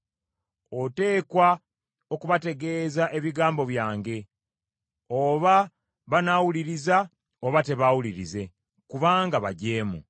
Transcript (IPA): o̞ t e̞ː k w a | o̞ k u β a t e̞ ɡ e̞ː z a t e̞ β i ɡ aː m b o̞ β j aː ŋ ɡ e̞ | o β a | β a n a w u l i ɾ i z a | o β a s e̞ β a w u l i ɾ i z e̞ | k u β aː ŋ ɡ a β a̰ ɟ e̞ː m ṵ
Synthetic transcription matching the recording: o̞ t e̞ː k w a | o̞ k u β a t e̞ ɡ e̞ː z a ʔ e̞ β i ɡ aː m b o̞ β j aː ŋ ɡ e̞ | o β a | β a n a w u l i ɾ i z a | o β a t e̞ β a w u l i ɾ i z e̞ | k u β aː ŋ ɡ a β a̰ ɟ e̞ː m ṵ